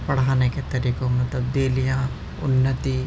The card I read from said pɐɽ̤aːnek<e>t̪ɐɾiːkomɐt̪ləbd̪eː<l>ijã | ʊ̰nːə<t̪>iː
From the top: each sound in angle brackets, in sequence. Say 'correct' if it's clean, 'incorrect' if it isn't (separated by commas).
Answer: correct, correct, correct